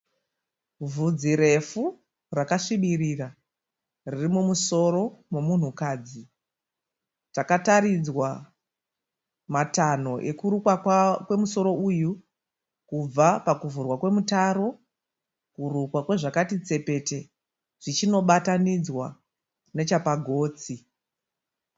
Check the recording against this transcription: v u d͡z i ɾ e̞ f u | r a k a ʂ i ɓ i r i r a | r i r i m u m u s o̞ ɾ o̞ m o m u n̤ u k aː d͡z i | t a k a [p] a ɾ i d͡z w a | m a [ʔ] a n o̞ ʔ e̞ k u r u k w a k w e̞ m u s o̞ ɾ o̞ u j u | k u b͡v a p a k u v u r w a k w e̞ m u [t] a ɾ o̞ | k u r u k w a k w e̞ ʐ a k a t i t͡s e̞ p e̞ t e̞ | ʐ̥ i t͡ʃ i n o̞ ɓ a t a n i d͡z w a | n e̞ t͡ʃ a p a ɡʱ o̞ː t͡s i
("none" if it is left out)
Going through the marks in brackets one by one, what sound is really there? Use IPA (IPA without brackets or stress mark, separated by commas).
t, t, t